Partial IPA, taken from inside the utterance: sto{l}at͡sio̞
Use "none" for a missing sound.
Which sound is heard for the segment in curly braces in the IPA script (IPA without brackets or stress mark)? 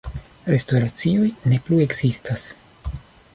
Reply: ɾ